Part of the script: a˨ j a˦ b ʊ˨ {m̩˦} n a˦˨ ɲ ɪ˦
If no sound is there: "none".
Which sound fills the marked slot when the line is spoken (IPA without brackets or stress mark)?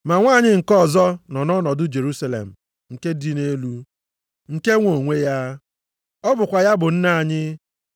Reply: n̩˦